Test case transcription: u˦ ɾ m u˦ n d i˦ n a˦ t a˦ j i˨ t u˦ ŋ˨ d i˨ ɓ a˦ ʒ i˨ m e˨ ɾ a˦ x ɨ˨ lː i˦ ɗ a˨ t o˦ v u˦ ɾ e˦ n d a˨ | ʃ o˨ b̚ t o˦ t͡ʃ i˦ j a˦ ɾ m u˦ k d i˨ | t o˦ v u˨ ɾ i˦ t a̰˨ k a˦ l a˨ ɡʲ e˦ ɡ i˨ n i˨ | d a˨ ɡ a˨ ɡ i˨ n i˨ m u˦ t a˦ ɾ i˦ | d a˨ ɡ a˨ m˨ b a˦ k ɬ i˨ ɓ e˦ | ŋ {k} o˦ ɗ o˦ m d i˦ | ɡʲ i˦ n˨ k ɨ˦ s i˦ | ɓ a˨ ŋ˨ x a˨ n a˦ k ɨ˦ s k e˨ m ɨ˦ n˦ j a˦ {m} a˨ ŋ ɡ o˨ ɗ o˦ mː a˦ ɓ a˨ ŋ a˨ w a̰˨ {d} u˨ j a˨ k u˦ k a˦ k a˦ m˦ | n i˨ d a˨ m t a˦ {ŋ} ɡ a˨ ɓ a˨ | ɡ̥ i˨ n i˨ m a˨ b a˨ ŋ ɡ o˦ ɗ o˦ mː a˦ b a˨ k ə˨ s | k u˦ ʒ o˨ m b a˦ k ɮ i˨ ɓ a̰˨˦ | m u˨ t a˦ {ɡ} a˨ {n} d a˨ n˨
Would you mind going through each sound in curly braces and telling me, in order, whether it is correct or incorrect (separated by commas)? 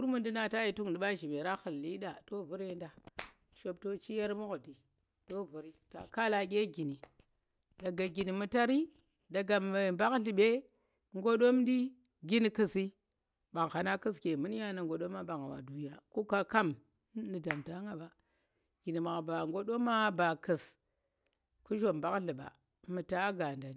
incorrect, incorrect, correct, correct, correct, correct